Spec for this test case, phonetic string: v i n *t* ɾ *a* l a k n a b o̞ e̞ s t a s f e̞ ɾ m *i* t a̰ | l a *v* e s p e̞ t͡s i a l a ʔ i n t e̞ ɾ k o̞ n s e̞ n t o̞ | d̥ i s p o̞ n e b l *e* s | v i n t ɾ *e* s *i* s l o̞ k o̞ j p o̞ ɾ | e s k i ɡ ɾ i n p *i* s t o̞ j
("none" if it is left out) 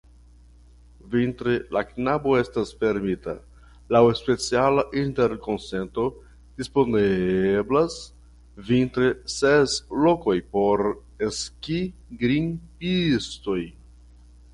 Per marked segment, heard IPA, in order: t, e, i, w, a, e, e, i

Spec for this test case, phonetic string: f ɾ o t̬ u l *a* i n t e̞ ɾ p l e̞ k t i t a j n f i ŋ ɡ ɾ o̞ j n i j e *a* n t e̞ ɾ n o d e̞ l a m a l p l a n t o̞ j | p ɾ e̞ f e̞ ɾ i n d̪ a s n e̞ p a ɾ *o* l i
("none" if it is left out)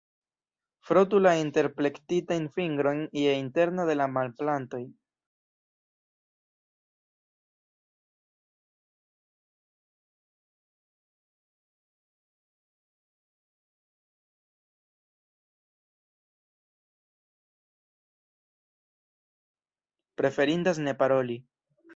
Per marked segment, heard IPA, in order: a, i, o

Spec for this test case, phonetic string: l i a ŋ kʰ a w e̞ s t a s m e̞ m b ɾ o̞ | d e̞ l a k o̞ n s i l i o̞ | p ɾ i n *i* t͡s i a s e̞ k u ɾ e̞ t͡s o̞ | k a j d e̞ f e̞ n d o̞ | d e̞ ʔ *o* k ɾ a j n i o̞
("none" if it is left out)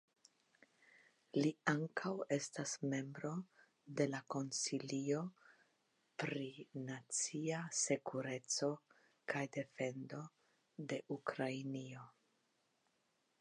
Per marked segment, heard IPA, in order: a, u

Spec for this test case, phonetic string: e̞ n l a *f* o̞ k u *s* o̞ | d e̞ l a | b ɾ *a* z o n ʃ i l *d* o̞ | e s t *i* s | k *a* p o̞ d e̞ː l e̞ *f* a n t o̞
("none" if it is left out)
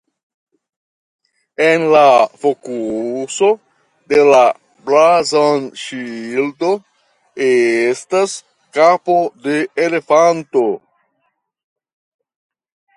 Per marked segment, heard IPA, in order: f, s, a, d, a, a, f

